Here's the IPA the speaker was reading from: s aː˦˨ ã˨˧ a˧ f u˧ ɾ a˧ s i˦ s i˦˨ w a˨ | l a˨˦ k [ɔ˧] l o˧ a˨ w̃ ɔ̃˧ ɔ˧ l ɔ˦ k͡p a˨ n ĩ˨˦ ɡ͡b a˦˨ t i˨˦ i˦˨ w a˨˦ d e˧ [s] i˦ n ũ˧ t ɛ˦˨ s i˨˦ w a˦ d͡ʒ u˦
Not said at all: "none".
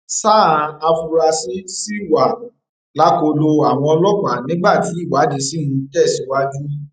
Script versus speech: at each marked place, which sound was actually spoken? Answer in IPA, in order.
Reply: o˧, s

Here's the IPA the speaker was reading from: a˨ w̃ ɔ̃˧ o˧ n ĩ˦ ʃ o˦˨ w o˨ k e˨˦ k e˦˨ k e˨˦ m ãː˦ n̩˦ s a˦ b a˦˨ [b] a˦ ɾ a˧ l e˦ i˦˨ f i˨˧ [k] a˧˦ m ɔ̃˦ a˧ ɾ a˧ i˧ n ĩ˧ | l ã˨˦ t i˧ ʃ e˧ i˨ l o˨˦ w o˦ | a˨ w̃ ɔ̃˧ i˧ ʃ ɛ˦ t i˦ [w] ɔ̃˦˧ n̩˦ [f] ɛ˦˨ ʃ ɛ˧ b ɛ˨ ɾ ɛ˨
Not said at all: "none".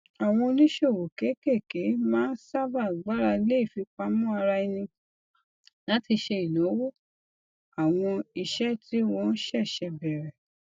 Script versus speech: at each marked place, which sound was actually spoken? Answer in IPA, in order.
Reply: ɡ͡b, k͡p, w, ʃ

